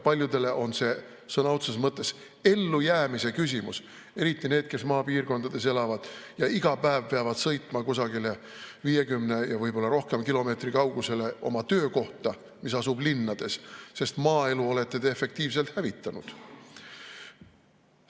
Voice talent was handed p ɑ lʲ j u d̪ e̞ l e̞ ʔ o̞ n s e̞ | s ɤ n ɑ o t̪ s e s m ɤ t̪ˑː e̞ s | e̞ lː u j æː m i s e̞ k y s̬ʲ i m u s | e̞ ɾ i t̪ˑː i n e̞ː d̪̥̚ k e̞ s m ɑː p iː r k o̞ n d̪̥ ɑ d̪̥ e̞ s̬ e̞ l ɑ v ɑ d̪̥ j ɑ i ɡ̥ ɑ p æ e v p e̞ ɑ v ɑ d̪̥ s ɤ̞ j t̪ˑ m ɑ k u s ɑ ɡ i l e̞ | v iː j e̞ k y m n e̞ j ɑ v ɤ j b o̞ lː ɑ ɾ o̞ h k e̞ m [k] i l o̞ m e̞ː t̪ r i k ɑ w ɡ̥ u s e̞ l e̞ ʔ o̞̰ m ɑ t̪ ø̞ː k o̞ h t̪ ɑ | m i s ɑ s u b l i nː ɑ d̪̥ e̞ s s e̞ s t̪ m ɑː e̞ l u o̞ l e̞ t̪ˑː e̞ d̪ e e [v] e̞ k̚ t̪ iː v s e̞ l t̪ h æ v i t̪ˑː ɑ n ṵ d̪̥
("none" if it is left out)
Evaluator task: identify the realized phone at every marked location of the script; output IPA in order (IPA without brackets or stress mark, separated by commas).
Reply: k, f